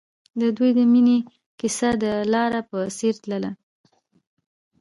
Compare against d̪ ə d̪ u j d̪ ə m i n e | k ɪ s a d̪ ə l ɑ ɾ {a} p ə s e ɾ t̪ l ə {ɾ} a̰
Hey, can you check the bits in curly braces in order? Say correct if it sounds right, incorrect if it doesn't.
correct, incorrect

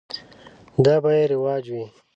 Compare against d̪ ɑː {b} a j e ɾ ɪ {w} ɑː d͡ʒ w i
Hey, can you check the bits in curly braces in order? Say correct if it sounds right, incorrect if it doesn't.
correct, correct

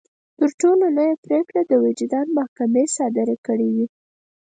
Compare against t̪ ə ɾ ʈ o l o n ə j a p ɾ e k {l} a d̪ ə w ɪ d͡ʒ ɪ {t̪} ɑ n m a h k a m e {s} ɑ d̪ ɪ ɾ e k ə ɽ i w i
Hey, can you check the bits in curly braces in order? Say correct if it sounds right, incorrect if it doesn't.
incorrect, incorrect, correct

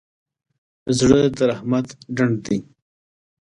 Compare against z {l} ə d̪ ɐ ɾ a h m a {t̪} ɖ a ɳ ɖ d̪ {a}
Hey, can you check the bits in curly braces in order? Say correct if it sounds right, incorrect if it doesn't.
incorrect, correct, incorrect

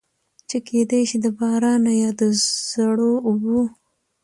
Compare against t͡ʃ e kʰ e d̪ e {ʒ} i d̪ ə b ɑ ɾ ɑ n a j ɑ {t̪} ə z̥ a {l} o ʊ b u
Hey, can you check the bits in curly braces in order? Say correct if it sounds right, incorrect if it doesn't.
incorrect, incorrect, incorrect

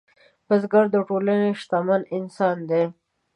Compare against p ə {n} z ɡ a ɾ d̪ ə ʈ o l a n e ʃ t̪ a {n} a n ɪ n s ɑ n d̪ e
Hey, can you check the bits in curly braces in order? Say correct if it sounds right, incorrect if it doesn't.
incorrect, incorrect

